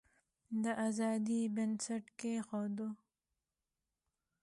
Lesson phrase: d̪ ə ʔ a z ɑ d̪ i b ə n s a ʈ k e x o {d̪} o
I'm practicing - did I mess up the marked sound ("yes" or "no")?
no